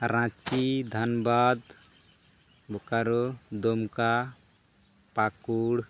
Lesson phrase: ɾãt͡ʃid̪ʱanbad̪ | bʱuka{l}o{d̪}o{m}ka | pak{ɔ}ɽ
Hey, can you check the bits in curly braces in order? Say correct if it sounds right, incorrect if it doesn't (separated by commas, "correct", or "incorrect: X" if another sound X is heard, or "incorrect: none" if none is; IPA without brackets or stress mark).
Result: incorrect: ɾ, correct, correct, incorrect: u